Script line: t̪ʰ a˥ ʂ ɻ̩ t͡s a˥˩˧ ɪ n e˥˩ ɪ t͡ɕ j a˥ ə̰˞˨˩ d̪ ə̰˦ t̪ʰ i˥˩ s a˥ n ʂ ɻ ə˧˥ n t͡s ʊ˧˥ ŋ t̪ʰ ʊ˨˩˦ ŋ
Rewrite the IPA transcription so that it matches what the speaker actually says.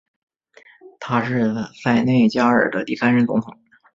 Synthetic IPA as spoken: t̪ʰ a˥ ʂ ɻ̩ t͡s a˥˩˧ ɪ n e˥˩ ɪ t͡ɕ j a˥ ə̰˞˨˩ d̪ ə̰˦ t̪ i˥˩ s a˥ n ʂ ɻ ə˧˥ n t͡s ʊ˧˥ ŋ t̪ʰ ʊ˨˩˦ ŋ